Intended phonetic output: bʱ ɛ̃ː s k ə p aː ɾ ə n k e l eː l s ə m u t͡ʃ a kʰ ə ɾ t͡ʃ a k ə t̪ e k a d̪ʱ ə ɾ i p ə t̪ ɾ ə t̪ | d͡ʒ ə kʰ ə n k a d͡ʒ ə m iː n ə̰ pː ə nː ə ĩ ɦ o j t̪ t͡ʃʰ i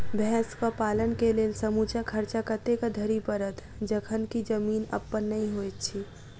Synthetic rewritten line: bʱ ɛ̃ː s k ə p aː l ə n k e l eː l s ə m u t͡ʃ a kʰ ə ɾ t͡ʃ a k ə t̪ e k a d̪ʱ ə ɾ i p ə ɾ ə t̪ | d͡ʒ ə kʰ ə n k i d͡ʒ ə m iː n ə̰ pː ə nː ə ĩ ɦ o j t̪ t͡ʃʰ i

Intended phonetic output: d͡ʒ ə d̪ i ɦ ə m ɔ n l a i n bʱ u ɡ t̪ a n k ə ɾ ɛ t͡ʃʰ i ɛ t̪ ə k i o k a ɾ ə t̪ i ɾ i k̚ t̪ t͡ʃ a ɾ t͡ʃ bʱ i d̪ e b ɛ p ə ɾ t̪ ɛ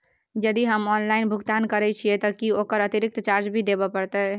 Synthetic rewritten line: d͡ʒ ə d̪ i ɦ ə m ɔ n l a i n bʱ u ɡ t̪ a n k ə ɾ ɛ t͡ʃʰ i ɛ t̪ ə k i o k ə ɾ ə t̪ i ɾ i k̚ t̪ t͡ʃ a ɾ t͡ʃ bʱ i d̪ e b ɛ p ə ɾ t̪ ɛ

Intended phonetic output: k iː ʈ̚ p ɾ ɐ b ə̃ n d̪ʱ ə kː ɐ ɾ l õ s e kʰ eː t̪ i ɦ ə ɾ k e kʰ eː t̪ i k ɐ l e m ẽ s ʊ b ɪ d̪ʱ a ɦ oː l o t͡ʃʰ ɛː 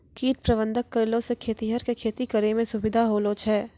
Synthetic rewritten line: k iː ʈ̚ p ɾ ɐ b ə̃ n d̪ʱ ə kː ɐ ɾ l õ s e kʰ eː t̪ i ɦ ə ɾ k e kʰ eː t̪ i k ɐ ɾ e m ẽ s ʊ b ɪ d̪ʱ a ɦ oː l o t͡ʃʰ ɛː

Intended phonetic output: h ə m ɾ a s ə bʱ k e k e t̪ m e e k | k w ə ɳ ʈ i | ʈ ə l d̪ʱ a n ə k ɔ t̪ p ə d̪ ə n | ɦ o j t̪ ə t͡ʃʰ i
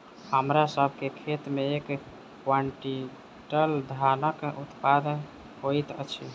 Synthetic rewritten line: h ə m ɾ a s ə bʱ k e kʰ e t̪ m e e k | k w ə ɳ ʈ i | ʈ ə l d̪ʱ a n ə k u t̪ p a d̪ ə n | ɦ o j t̪ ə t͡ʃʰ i

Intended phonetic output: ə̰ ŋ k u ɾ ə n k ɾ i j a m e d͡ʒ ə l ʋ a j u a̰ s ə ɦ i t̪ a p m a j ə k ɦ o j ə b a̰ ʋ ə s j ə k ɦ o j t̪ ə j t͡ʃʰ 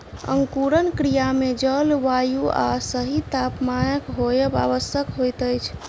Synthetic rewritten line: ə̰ ŋ k u ɾ ə n k ɾ i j a m e d͡ʒ ə l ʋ a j u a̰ s ə ɦ i t̪ a p m a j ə k ɦ o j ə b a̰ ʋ ə s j ə k ɦ o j t̪ ə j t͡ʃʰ

